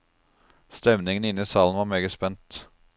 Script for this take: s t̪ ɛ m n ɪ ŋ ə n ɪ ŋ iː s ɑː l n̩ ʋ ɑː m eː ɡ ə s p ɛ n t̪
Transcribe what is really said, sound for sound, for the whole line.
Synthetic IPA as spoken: s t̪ ɛ m n ɪ ŋ ə n ɪ n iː s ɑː l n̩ ʋ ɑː m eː ɡ ə s p ɛ n t̪